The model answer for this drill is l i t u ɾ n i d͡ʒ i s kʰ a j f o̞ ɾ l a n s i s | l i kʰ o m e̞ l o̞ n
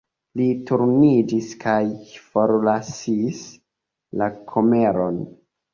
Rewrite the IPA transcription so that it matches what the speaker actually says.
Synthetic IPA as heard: l i t u ɾ n i d͡ʒ i s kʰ a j f o̞ ɾ l a s i s | l a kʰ o m e̞ ɾ o̞ n